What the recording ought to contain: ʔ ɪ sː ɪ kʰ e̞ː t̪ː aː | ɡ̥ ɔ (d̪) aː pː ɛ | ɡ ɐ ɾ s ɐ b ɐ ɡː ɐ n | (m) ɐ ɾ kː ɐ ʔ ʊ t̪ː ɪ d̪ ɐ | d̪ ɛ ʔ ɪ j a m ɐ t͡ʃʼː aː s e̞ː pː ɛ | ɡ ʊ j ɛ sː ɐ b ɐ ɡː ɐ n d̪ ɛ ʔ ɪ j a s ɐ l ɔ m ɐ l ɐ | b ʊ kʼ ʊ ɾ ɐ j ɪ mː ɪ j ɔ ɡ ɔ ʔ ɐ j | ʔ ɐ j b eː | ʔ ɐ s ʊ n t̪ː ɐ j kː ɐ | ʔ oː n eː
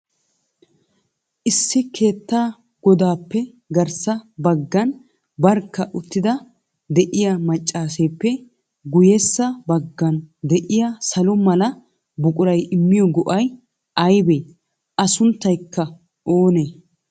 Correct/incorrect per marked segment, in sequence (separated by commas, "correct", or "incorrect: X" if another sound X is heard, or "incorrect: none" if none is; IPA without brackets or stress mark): correct, incorrect: b